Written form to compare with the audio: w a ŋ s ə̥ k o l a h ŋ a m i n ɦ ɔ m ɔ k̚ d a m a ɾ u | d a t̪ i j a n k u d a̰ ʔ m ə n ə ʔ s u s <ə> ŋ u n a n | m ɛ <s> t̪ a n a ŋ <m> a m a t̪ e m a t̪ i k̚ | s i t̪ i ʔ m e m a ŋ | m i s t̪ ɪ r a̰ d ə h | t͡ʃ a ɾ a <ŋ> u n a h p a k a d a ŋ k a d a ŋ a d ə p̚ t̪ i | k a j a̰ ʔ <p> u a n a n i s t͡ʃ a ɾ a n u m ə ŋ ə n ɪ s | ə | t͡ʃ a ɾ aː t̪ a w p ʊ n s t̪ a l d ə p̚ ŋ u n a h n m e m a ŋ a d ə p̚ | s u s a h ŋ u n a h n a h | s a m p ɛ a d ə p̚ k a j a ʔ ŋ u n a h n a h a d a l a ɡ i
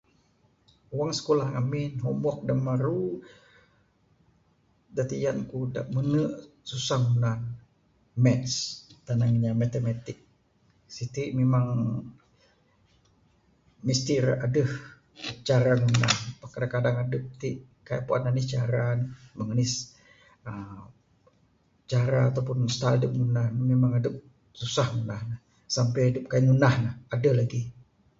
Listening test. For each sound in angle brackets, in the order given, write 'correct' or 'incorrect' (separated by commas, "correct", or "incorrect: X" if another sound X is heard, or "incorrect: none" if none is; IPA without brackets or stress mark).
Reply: incorrect: a, correct, incorrect: ɲ, correct, correct